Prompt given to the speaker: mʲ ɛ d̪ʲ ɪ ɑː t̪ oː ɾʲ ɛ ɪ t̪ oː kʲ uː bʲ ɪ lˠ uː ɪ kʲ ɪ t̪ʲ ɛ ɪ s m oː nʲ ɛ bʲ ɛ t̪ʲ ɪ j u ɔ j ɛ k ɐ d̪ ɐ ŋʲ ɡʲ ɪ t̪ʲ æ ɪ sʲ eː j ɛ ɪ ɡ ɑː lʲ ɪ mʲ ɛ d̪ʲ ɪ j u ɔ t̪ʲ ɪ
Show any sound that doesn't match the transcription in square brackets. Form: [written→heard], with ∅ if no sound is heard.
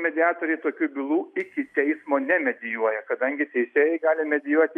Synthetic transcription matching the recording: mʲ ɛ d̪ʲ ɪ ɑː t̪ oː ɾʲ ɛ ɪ t̪ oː kʲ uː bʲ ɪ lˠ uː ɪ kʲ ɪ t̪ʲ ɛ ɪ s m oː nʲ ɛ [bʲ→mʲ] ɛ [t̪ʲ→d̪ʲ] ɪ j u ɔ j ɛ k ɐ d̪ ɐ ŋʲ ɡʲ ɪ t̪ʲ [æ→ɛ] ɪ sʲ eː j ɛ ɪ ɡ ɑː lʲ ɪ mʲ ɛ d̪ʲ ɪ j u ɔ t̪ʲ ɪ